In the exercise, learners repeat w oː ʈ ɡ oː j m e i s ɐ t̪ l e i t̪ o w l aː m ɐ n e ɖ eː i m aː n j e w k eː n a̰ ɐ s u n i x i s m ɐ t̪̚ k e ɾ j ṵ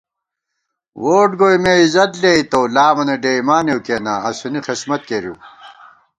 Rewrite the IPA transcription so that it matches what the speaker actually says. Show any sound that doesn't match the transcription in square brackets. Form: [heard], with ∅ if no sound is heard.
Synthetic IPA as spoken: w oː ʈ ɡ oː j m e i [z] ɐ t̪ l e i t̪ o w l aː m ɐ n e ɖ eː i m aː n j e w k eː n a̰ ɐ s u n i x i s m ɐ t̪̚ k e ɾ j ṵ